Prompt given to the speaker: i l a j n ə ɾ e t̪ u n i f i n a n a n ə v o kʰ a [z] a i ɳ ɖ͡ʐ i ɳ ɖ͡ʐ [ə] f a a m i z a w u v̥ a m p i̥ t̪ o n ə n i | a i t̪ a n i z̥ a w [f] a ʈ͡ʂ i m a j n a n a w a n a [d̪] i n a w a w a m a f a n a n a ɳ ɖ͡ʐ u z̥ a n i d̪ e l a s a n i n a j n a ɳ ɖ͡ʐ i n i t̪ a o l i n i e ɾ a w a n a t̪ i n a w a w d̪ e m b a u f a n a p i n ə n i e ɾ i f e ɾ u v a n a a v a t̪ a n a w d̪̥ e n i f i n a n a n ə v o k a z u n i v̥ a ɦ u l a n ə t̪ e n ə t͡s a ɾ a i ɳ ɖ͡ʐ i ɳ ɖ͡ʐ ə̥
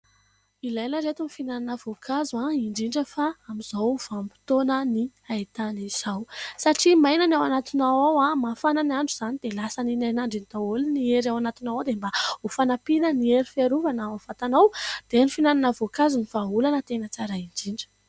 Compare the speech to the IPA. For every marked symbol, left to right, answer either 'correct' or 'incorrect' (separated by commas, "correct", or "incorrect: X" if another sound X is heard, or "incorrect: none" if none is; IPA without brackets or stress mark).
correct, correct, incorrect: s, incorrect: t̪